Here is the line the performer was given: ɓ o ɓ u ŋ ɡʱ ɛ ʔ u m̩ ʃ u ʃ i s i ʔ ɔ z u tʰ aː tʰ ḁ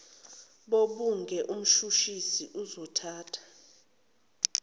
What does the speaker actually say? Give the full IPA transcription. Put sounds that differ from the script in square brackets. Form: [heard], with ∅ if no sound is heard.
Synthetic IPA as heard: ɓ o ɓ u ŋ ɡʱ ɛ ʔ u m̩ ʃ u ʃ i s i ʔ [u] z [ɔ] tʰ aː tʰ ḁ